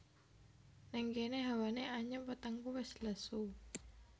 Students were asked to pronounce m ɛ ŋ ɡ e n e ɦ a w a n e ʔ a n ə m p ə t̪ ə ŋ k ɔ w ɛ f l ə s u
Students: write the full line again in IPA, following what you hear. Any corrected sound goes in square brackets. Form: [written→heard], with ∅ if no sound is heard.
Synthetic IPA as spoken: [m→n] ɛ ŋ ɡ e n e ɦ a w a n e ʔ a [n→ɲ] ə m p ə t̪ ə ŋ k [ɔ→u] w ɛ [f→s] l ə s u